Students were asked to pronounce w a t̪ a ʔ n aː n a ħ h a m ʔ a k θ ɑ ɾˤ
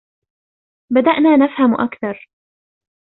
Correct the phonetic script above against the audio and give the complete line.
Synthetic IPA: b a d̪ a ʔ n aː n a f h a m ʔ a k θ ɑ ɾˤ